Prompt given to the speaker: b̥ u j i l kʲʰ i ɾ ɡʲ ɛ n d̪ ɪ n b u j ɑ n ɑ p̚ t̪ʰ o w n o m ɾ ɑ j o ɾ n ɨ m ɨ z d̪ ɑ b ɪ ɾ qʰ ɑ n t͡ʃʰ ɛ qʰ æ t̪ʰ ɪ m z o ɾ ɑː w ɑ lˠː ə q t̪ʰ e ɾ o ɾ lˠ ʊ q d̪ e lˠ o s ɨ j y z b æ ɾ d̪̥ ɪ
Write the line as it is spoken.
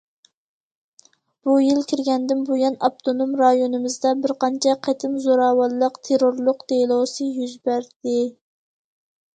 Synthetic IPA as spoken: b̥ u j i l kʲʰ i ɾ ɡʲ ɛ n d̪ ɪ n b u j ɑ n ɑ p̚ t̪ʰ o n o m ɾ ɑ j o n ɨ m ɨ z d̪ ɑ b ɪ ɾ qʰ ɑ n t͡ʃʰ ɛ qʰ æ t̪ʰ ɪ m z o ɾ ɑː w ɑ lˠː ə q t̪ʰ e ɾ o ɾ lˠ ʊ q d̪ e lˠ o s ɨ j y z b æ ɾ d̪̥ ɪ

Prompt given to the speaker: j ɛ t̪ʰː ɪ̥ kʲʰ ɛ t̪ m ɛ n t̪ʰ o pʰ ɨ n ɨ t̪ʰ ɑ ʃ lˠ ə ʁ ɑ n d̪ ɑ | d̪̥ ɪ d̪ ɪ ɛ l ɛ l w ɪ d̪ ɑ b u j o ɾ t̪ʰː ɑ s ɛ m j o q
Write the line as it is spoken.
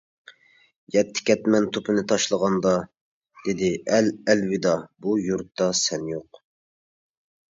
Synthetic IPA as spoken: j ɛ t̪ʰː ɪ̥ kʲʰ ɛ t̪ m ɛ n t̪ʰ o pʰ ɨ n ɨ t̪ʰ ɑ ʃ lˠ ə ʁ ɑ n d̪ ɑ | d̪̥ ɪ d̪ ɪ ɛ l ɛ l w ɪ d̪ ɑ b u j u ɾ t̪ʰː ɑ s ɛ n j o q

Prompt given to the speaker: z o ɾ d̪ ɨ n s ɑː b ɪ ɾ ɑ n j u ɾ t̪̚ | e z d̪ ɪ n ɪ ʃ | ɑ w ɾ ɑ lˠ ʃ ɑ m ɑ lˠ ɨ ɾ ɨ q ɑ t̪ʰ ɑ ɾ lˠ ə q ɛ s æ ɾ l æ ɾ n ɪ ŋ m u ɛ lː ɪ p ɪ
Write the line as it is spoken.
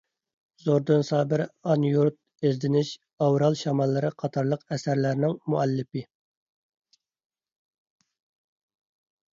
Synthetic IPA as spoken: z o ɾ d̪ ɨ n s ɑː b ɪ ɾ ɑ n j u ɾ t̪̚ | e z d̪ ɪ n ɪ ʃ | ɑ w ɾ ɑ lˠ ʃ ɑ m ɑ lˠː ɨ ɾ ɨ qʰ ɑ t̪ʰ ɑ ɾ lˠ ə q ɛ s æ ɾ l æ ɾ n ɪ ŋ m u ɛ lː ɪ p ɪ

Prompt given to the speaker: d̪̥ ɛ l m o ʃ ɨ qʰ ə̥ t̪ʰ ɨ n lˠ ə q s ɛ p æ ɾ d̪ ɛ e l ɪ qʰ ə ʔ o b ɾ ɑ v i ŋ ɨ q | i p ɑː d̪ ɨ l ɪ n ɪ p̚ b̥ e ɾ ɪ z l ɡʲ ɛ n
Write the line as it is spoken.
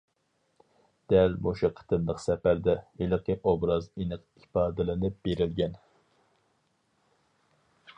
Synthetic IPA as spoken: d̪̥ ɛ l m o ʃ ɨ qʰ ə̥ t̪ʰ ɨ n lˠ ə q s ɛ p æ ɾ d̪ ɛ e l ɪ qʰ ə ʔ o b ɾ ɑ z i n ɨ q | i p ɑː d̪ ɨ l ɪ n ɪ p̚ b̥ e ɾ ɪ l ɡʲ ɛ n

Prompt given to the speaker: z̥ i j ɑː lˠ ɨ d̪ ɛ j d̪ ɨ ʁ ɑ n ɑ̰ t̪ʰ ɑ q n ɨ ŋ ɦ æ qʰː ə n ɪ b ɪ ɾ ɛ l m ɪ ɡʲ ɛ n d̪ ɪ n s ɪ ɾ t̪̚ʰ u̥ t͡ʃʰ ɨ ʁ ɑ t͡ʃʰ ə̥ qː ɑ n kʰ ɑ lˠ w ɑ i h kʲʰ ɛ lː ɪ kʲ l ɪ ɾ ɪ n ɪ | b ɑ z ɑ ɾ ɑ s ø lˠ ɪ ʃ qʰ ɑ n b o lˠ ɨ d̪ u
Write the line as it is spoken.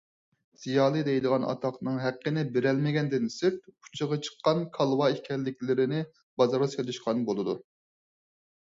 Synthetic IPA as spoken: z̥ i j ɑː lˠ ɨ d̪ ɛ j d̪ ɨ ʁ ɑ n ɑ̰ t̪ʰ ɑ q n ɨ ŋ ɦ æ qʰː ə n ɪ b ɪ ɾ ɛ l m ɪ ɡʲ ɛ n d̪ ɪ n s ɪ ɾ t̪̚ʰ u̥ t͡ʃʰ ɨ ʁ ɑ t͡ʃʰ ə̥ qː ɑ n kʰ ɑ lˠ w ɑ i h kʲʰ ɛ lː ɪ kʲ l ɪ ɾ ɪ n ɪ | b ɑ z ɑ ɾ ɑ s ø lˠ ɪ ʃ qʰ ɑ n b o lˠ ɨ d̪ u

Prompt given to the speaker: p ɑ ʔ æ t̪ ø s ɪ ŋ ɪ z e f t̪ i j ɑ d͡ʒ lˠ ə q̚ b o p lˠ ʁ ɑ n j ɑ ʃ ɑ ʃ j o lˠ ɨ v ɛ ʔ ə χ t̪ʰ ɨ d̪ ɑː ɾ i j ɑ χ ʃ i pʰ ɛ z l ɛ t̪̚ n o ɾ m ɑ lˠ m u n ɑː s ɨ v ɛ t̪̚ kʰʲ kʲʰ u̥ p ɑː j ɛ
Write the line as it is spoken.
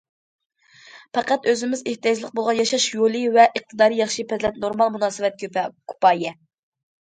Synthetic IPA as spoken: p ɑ q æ t̪ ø z ɪ m ɪ z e h t̪ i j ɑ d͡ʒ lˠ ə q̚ b o lˠ ʁ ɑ n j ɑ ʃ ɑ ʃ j o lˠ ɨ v ɛ ʔ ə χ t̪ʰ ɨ d̪ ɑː ɾ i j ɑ χ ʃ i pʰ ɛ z l ɛ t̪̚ n o ɾ m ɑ lˠ m u n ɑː s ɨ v ɛ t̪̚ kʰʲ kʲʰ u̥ p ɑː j ɛ

